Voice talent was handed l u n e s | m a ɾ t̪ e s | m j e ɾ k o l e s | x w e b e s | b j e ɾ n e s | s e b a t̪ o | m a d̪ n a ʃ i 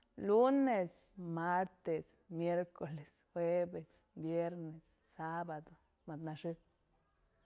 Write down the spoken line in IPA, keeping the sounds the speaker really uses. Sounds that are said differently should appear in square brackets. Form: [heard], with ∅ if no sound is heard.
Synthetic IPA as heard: l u n e s | m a ɾ t̪ e s | m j e ɾ k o l e s | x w e b e s | b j e ɾ n e s | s [a] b a [d̪] o | m a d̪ n a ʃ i